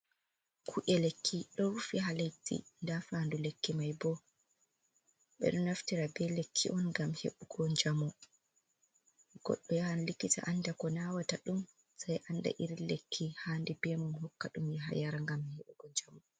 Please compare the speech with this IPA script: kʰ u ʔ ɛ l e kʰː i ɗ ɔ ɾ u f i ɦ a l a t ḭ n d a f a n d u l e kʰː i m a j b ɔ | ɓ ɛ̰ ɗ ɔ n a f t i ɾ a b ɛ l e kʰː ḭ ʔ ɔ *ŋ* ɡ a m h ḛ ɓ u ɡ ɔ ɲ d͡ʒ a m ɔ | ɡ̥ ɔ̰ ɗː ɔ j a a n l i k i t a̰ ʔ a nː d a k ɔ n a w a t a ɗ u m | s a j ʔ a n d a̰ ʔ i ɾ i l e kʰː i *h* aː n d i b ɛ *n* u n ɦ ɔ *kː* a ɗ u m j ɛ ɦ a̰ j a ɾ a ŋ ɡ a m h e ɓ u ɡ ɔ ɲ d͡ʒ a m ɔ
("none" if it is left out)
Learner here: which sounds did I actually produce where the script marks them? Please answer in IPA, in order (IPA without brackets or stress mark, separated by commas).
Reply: n, h, m, kː